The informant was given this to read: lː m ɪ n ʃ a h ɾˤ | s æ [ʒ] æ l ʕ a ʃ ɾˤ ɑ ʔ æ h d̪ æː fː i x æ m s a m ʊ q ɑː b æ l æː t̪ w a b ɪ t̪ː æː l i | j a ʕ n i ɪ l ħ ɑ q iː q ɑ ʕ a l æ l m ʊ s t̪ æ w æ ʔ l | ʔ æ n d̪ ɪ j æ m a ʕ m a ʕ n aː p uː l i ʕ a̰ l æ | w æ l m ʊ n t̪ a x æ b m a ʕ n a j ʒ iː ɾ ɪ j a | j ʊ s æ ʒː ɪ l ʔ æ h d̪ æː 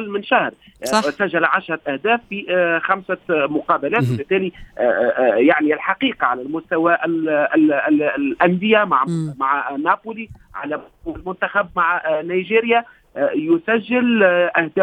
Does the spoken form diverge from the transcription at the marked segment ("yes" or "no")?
yes